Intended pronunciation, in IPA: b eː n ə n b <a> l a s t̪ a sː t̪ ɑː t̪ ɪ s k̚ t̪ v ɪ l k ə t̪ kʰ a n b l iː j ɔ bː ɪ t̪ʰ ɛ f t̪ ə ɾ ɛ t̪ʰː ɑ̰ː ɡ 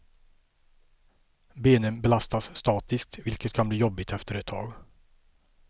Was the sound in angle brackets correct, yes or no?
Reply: no